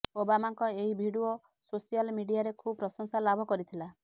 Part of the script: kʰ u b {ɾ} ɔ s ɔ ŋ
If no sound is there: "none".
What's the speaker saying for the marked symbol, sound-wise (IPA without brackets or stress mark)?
ɾ